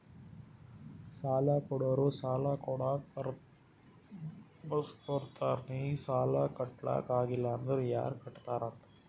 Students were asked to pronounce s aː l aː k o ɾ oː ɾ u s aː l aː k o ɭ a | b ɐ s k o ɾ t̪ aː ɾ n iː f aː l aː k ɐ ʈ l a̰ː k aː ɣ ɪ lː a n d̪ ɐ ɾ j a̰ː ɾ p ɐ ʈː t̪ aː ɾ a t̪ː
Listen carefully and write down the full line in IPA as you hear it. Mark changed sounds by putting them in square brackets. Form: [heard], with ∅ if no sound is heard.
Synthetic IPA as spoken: s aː l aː k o [ɽ] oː ɾ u s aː l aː k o [ɽ] a | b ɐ s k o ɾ t̪ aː ɾ n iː [s] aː l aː k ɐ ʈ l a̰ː k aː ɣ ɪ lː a n d̪ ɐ ɾ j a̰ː ɾ [k] ɐ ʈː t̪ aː ɾ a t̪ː